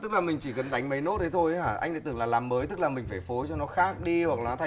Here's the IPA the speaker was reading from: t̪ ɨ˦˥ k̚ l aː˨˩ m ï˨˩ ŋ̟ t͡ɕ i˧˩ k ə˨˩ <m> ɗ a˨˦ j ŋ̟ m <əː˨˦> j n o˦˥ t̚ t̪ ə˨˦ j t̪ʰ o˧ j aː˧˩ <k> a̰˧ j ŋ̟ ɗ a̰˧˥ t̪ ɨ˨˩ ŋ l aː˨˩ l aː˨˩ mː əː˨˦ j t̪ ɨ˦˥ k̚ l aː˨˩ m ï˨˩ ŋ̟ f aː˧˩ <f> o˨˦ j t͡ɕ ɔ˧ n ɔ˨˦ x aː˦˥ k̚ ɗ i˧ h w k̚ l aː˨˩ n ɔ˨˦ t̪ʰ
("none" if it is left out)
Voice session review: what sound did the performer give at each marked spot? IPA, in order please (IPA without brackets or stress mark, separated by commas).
n, ə˨˦, ʔ, f